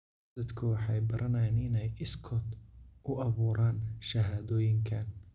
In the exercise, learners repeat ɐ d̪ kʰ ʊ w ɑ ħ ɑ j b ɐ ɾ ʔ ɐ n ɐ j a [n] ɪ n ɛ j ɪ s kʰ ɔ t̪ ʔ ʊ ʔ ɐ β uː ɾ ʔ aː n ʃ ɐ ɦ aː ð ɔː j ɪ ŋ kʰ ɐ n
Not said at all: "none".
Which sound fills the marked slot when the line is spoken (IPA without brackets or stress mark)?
n